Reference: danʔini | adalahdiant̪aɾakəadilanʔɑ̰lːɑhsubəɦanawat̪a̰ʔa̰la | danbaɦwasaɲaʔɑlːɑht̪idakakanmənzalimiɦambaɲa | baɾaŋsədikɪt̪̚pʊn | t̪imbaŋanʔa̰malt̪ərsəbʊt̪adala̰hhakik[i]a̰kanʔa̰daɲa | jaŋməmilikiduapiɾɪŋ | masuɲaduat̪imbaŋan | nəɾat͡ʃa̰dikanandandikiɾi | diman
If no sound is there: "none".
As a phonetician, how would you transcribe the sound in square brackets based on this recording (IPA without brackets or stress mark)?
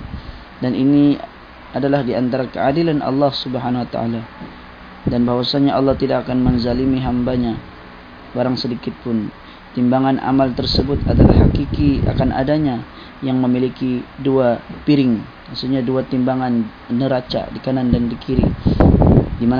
i